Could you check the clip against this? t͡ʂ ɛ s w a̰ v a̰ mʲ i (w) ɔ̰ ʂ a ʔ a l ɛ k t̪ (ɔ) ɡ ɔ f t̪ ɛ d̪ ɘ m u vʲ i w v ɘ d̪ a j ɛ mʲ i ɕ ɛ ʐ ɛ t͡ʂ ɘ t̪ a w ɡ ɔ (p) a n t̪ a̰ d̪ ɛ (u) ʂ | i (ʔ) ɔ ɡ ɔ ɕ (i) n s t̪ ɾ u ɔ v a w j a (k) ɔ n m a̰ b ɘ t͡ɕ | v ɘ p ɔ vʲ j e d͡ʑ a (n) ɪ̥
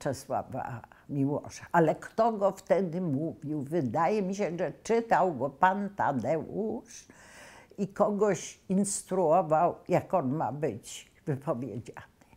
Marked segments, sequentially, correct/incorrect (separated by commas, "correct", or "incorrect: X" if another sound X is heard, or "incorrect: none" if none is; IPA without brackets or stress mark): correct, correct, correct, correct, incorrect: k, correct, correct, correct